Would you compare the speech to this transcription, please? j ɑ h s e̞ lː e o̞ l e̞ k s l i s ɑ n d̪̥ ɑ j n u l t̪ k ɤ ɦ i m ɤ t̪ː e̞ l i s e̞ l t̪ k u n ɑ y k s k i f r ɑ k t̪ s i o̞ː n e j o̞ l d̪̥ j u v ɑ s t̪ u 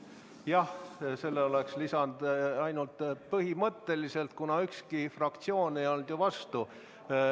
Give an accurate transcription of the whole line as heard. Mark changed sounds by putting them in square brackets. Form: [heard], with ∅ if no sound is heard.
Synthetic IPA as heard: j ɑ h s e̞ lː e o̞ l e̞ k s l i s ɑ n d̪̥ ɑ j n u l t̪ [p] ɤ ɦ i m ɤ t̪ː e̞ l i s e̞ l t̪ k u n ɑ y k s k i f r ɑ k t̪ s i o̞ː n e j o̞ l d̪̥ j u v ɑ s t̪ u